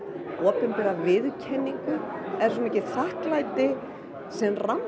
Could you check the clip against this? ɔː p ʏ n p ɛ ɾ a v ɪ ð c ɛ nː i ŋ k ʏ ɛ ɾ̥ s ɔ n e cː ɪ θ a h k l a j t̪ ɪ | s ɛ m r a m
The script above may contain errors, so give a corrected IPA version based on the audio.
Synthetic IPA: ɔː p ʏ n p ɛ ɾ a v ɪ ð cʰ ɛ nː i ŋ k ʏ ɛ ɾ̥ s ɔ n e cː ɪ θ a h k l a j t̪ ɪ | s ɛ m r a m